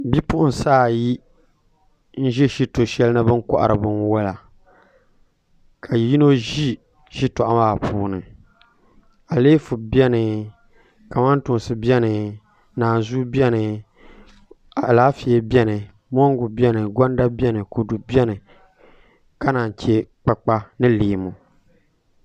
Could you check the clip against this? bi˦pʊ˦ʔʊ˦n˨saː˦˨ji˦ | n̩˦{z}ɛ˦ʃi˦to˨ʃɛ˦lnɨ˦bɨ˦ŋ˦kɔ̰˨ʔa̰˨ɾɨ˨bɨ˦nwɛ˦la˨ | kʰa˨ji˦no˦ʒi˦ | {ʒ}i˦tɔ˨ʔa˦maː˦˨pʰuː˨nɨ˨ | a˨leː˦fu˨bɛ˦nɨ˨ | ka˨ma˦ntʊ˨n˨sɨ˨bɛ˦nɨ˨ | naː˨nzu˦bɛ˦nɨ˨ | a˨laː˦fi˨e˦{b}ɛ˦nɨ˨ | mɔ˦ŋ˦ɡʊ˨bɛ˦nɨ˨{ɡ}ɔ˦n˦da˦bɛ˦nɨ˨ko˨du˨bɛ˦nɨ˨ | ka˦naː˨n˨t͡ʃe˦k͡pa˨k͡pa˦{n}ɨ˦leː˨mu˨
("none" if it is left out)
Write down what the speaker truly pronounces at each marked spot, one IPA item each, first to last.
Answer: ʒ, ʃ, b, ɡ, n

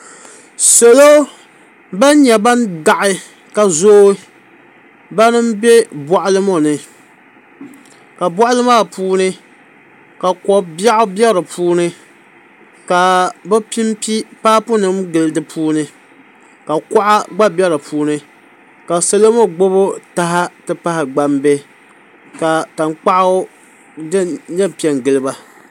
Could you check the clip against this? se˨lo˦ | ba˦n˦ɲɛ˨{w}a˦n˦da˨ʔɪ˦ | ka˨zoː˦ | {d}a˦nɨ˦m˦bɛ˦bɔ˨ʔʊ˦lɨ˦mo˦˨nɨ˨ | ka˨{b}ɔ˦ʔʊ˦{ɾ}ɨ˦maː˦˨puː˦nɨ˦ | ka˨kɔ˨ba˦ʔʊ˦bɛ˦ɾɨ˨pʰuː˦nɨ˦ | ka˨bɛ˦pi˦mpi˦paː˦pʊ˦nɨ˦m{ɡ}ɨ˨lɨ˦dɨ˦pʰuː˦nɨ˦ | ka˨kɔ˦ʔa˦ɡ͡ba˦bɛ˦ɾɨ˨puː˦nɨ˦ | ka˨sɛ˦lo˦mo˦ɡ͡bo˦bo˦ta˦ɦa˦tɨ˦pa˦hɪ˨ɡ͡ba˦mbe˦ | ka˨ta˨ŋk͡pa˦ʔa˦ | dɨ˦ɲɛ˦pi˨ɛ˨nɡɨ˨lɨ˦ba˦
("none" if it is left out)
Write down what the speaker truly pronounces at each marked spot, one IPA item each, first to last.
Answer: b, b, b, l, ɡ

